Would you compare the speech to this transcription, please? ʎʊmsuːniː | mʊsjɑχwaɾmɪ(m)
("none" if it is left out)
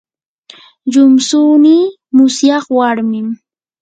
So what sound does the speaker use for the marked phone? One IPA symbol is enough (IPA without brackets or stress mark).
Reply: m